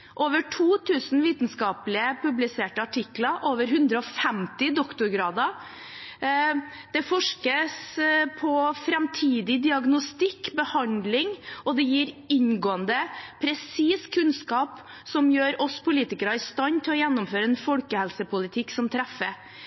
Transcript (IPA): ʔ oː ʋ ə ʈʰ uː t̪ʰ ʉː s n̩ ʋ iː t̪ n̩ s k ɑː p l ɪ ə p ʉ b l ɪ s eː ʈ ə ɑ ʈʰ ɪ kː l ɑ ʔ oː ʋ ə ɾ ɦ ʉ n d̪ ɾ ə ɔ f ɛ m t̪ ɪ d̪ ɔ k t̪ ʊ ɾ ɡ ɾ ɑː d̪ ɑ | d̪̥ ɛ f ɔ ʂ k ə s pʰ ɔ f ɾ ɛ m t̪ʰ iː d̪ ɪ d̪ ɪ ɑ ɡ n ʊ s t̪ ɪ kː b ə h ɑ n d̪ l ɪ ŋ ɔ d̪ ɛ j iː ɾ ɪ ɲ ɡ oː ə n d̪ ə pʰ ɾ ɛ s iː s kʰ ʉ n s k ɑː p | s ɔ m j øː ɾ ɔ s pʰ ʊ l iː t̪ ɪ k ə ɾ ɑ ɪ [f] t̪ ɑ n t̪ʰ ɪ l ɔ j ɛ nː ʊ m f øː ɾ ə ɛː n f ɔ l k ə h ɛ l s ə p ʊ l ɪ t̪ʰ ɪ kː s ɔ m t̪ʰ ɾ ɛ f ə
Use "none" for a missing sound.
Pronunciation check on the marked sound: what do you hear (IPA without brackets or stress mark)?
s